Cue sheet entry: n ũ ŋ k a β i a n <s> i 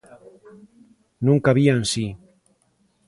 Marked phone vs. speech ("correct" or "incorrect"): correct